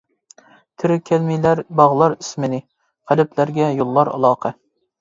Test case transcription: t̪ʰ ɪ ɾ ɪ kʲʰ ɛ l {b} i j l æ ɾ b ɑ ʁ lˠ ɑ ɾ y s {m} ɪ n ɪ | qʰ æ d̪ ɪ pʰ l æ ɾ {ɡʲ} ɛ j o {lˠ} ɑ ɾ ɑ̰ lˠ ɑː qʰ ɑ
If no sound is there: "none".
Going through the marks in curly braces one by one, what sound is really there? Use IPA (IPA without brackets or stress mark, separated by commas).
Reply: m, m, ɡʲ, lˠː